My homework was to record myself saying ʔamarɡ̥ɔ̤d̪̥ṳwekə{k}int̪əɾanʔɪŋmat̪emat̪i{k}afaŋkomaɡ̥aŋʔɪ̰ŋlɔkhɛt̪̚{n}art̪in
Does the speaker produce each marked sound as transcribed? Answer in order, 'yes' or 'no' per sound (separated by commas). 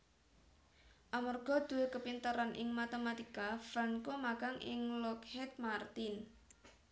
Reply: no, yes, no